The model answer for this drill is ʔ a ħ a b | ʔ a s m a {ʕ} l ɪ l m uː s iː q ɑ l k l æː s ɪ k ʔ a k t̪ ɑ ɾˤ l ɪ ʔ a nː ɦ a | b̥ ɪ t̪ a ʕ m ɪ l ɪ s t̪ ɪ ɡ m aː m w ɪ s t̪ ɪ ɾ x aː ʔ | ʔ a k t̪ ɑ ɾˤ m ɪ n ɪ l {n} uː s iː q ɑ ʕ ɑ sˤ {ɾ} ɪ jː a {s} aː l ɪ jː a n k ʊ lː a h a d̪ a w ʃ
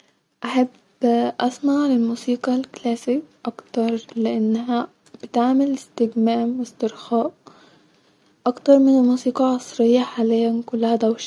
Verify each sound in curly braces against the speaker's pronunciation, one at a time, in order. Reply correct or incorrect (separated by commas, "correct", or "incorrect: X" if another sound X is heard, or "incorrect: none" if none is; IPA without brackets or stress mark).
correct, incorrect: m, correct, incorrect: ħ